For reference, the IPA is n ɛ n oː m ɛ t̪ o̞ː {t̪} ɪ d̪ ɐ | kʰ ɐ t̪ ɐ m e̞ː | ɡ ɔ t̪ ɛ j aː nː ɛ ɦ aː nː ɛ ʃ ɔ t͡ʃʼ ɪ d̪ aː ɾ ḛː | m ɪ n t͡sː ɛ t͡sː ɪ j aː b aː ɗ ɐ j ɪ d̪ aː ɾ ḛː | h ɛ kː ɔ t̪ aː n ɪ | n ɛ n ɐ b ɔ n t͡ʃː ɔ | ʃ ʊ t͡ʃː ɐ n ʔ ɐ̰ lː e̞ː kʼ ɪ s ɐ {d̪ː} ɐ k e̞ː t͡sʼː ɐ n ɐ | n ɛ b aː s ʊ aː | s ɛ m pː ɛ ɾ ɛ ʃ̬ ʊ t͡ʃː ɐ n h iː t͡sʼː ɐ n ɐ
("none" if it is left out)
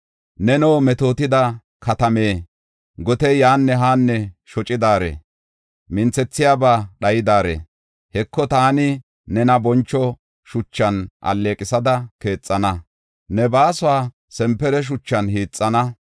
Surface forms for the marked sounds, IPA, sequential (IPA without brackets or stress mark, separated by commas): t̪, d̪